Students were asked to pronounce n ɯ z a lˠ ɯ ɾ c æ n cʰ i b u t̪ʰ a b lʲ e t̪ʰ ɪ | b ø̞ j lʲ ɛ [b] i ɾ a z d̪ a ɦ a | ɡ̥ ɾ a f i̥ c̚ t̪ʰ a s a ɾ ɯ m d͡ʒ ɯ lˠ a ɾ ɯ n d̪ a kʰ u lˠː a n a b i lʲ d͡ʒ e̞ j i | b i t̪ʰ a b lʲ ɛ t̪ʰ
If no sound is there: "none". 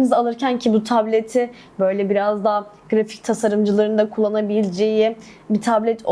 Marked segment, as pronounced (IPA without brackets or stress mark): b